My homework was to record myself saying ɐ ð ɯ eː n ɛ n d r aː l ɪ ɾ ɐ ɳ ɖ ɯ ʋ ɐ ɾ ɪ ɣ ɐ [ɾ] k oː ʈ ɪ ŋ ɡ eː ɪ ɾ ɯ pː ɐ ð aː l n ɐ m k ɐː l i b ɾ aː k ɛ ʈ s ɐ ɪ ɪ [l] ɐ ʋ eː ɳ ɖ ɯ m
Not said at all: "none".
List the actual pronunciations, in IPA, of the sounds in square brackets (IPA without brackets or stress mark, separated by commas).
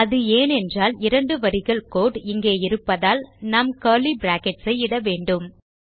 ɭ, ɽ